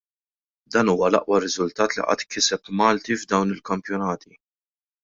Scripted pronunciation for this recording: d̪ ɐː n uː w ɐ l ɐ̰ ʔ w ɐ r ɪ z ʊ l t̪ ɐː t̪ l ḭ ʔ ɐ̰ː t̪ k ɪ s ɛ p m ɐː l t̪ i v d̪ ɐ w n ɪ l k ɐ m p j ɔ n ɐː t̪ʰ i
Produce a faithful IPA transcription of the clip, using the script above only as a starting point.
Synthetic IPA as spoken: d̪ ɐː n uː w ɐ l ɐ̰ ʔ w ɐ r ɪ z ʊ l t̪ ɐː t̪ l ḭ ʔ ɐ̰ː t̪ k ɪ s ɛ p m ɐː l t̪ i v d̪ ɐ w n ɪ l k ɐ m p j ɔ n ɐː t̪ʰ i